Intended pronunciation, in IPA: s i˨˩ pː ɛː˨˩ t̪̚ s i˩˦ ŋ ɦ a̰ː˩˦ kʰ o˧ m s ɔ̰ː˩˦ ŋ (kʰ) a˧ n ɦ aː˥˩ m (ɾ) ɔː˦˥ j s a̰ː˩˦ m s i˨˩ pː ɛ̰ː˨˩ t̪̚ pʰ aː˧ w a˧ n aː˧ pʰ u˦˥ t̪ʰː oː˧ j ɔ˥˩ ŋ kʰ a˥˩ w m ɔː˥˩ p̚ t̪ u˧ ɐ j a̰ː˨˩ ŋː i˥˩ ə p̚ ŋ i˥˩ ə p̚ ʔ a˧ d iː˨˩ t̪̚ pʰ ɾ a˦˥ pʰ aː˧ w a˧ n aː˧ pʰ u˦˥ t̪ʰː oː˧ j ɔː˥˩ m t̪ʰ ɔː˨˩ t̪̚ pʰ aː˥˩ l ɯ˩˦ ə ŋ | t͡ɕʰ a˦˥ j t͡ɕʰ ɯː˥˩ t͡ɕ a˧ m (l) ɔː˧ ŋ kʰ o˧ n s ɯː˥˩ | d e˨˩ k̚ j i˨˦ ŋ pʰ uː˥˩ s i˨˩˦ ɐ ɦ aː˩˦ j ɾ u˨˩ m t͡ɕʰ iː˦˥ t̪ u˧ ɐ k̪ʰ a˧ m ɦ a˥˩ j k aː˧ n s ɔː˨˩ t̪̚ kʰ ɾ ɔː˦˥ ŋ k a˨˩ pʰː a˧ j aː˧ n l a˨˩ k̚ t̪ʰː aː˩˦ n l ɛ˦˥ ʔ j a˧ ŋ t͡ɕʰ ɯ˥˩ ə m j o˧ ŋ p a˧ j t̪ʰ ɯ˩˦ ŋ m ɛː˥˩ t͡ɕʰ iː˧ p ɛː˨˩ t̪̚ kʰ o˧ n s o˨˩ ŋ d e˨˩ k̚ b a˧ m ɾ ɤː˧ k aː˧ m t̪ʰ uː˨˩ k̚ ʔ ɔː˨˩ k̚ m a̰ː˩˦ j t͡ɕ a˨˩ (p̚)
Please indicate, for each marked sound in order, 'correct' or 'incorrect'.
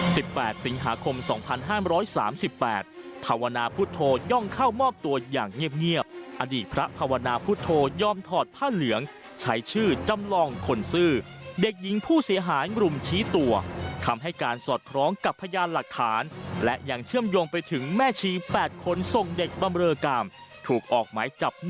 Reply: incorrect, correct, correct, correct

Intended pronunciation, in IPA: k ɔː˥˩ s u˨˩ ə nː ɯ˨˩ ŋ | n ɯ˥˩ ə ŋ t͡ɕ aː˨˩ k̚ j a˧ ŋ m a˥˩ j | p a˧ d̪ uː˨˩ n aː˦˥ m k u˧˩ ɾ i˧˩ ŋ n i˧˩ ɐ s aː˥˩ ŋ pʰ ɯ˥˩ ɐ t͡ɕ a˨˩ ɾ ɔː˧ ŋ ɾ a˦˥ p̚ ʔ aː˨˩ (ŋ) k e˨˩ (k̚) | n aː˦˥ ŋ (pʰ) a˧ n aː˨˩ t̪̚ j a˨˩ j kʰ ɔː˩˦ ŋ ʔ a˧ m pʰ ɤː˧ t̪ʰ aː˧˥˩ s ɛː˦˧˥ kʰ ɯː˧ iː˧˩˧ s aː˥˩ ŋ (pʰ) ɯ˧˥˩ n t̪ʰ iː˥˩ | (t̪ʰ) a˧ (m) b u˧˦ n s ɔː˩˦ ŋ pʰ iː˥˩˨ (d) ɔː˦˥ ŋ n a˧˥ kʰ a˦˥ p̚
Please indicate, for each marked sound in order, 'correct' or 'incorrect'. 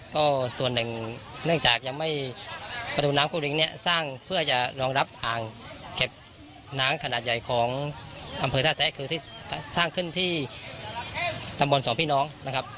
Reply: correct, incorrect, incorrect, incorrect, incorrect, correct, incorrect

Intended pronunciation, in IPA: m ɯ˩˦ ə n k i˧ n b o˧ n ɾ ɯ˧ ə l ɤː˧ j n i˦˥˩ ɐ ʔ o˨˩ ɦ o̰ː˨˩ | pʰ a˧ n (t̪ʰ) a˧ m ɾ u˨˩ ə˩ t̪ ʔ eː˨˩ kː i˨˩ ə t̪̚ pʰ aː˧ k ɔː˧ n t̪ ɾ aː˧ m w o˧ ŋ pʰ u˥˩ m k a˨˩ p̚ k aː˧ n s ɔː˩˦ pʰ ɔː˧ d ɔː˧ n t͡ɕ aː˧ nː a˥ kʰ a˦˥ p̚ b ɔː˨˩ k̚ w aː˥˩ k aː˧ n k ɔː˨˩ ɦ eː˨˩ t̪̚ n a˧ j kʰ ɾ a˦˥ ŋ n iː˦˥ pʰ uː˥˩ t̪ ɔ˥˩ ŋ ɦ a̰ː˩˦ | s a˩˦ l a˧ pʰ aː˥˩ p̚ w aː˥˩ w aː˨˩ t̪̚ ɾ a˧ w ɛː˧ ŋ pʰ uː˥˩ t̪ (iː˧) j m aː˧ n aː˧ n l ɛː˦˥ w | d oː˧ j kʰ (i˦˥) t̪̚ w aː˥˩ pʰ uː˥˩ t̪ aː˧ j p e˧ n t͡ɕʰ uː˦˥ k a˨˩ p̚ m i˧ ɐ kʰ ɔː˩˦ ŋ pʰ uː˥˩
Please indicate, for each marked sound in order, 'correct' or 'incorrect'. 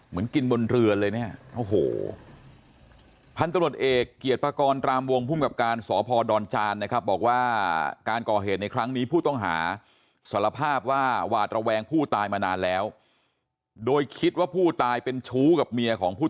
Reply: incorrect, incorrect, correct

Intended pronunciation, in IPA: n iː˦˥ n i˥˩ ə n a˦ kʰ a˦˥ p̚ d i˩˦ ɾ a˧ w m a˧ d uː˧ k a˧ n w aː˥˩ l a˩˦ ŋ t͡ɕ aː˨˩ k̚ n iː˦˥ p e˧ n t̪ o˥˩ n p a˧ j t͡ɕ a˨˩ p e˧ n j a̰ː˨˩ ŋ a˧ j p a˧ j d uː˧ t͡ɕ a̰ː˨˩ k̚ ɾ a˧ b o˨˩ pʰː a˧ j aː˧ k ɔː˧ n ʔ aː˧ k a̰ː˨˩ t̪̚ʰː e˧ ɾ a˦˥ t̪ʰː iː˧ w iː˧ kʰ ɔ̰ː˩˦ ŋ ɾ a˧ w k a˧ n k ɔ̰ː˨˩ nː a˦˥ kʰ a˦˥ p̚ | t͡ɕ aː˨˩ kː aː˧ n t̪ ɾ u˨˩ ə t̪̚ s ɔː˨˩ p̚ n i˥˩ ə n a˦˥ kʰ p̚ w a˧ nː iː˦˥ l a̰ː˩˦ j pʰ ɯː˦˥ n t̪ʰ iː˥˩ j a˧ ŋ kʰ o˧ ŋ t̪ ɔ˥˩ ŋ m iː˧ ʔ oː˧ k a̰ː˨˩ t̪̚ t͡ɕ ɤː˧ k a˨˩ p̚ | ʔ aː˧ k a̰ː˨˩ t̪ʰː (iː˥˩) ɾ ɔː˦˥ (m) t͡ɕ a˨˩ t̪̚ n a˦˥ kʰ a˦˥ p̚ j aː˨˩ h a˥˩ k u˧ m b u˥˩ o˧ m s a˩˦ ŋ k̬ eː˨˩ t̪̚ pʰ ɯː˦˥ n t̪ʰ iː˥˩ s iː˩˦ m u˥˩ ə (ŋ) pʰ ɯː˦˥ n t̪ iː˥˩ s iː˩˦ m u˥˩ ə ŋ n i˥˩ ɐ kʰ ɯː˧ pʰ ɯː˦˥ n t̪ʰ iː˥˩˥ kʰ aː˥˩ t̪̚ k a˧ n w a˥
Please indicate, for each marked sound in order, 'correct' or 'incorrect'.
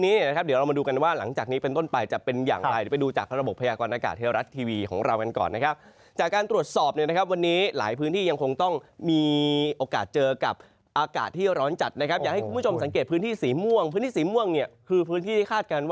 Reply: correct, incorrect, correct

